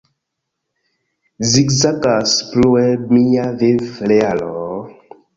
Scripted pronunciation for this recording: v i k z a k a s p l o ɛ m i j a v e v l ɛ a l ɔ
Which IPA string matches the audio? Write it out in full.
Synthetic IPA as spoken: z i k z a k a s p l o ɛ m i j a v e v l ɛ a l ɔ